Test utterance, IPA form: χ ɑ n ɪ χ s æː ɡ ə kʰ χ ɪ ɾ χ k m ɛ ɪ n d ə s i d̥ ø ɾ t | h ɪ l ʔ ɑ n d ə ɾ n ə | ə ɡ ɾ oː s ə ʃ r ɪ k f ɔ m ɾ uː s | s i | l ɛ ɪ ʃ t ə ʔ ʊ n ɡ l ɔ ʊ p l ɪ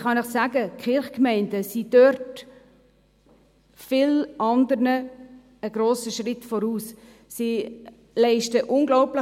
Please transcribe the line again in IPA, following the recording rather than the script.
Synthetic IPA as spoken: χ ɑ n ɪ χ s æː ɡ ə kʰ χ ɪ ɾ χ k m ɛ ɪ n d ə s i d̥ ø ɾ t | f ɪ l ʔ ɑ n d ə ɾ n ə | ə ɡ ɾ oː s ə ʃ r ɪ t f ɔ ɾ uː s | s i | l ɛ ɪ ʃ t ə ʔ ʊ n ɡ l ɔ ʊ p l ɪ